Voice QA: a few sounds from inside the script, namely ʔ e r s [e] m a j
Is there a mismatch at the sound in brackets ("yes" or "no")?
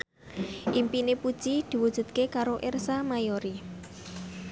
yes